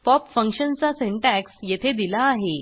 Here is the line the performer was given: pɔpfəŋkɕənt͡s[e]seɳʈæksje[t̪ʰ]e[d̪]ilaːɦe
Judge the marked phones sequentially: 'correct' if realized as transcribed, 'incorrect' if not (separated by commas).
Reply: incorrect, correct, correct